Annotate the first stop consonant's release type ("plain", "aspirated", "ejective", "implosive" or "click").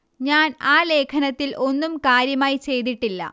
aspirated